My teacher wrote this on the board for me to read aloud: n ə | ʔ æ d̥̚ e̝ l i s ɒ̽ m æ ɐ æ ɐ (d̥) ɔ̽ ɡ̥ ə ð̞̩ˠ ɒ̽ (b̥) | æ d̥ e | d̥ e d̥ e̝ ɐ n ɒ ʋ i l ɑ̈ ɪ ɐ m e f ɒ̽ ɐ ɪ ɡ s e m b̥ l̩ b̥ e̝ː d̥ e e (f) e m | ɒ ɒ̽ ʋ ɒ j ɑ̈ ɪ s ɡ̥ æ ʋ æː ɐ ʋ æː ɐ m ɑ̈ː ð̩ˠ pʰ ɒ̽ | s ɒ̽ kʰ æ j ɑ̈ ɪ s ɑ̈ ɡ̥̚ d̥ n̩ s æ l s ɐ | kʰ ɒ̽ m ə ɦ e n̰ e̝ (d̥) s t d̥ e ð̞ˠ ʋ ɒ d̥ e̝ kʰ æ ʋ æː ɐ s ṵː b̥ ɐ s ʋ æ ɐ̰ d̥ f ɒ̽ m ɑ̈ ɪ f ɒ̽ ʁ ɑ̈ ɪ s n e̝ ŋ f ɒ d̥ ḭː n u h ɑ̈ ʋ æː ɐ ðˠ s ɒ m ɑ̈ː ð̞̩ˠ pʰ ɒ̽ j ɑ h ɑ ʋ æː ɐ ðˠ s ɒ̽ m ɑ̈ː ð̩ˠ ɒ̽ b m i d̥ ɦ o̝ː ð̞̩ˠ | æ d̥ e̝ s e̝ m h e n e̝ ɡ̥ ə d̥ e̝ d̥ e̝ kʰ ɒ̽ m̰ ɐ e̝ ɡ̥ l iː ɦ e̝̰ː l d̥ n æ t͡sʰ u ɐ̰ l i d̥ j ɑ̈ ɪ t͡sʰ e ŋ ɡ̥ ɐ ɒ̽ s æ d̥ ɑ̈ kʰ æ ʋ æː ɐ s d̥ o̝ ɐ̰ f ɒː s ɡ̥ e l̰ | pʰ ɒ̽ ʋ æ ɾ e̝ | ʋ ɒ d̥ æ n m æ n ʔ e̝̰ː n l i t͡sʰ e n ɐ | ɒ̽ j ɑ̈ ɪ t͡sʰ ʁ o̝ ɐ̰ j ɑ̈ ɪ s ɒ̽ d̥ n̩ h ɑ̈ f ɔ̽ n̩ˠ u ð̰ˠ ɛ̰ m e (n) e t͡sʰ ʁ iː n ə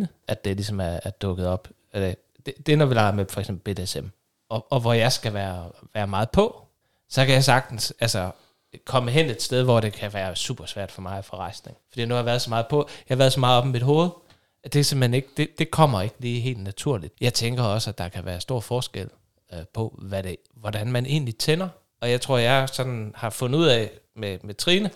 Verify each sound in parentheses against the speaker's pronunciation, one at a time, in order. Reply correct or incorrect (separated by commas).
correct, correct, incorrect, correct, incorrect